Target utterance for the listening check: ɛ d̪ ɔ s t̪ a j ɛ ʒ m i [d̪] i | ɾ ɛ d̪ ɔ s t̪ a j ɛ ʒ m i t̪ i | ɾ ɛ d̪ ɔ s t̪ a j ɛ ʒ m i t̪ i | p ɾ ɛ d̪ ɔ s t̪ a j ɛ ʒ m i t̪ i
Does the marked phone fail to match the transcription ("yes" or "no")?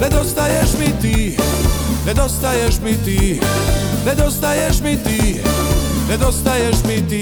yes